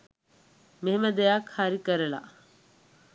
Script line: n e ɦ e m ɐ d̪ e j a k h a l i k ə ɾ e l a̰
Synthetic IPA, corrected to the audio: m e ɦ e m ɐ d̪ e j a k h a ɾ i k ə ɾ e l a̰